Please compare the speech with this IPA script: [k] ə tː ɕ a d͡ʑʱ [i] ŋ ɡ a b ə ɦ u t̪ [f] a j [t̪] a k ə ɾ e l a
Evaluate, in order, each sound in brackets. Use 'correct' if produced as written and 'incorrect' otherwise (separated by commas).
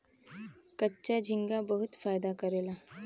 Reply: correct, correct, correct, incorrect